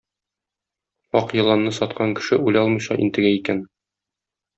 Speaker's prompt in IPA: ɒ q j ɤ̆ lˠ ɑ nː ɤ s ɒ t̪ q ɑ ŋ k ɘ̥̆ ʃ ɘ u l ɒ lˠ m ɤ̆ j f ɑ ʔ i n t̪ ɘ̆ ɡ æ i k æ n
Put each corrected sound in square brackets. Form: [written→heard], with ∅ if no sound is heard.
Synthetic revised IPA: ɒ q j ɤ̆ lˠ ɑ nː ɤ s ɒ t̪ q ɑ ŋ k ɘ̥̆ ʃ ɘ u l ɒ lˠ m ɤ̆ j [f→ɕ] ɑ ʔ i n t̪ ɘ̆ ɡ æ i k æ n